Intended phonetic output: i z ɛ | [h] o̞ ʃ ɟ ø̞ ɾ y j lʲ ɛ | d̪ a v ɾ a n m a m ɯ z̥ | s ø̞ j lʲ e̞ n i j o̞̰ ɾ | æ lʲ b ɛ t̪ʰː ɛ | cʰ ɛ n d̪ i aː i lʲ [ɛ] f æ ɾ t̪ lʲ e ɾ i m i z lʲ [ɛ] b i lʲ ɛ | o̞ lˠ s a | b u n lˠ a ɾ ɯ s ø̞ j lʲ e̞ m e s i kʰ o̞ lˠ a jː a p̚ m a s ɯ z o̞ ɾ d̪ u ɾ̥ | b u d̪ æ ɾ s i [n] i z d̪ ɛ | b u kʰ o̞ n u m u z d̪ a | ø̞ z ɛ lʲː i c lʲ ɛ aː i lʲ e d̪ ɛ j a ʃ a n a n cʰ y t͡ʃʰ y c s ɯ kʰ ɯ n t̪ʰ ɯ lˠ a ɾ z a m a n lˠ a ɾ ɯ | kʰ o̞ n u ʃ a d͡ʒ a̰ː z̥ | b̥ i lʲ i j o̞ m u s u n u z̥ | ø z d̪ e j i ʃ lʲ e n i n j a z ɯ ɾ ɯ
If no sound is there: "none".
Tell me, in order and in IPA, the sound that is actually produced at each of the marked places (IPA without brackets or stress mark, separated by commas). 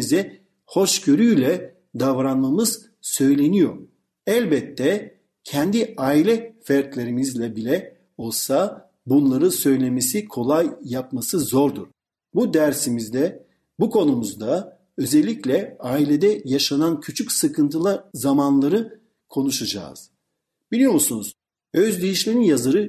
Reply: h, ɛ, ɛ, m